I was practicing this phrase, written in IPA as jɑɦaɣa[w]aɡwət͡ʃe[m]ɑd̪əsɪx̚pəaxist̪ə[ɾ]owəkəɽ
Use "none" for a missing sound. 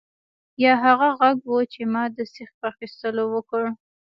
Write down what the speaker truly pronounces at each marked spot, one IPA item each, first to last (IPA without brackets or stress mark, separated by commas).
ɣ, m, l